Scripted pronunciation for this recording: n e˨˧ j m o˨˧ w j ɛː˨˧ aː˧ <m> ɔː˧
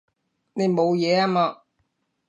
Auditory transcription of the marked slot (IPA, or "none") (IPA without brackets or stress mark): m